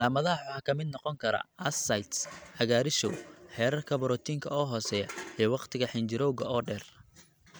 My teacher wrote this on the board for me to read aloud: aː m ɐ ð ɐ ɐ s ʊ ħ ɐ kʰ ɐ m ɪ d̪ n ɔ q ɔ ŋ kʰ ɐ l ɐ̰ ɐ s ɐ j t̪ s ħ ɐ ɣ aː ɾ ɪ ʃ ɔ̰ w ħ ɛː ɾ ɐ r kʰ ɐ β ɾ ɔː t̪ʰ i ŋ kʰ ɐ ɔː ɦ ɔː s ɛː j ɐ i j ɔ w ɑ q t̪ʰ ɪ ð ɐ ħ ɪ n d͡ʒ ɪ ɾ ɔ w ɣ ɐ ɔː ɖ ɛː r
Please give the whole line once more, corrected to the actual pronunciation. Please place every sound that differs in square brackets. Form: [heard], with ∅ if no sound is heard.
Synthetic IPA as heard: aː m ɐ ð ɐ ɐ [ħ] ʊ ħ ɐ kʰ ɐ m ɪ d̪ n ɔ q ɔ ŋ kʰ ɐ [ɾ] ɐ̰ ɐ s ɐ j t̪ s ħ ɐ ɣ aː ɾ ɪ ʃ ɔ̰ w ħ ɛː ɾ ɐ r kʰ ɐ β ɾ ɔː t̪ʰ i ŋ kʰ ɐ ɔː ɦ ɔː s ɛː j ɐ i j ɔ w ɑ q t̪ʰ ɪ [ɣ] ɐ ħ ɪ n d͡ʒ ɪ ɾ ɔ w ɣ ɐ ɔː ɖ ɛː r